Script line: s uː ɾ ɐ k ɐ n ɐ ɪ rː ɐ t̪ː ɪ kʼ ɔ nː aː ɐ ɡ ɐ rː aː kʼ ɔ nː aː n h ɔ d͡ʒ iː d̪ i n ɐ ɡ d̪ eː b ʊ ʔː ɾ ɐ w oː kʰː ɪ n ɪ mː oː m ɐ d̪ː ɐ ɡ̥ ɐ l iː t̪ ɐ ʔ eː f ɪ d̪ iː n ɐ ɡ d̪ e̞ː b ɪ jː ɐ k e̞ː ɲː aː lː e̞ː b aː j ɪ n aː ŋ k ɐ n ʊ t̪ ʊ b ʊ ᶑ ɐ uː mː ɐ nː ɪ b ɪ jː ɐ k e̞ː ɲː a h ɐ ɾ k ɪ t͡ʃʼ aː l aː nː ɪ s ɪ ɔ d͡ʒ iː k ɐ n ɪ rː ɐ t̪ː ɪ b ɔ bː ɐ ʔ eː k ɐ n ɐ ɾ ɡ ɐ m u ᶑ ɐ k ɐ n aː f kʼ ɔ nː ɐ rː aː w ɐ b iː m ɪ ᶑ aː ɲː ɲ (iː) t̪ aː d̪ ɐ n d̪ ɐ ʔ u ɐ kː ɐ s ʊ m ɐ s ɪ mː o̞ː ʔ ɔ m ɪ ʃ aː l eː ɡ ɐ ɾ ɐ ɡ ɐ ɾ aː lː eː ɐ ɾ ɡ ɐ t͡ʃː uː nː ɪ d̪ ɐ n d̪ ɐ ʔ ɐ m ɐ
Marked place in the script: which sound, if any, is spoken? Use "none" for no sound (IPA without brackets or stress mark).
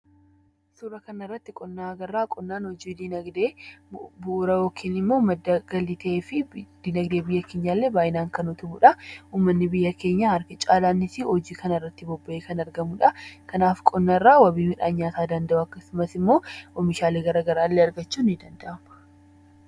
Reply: aː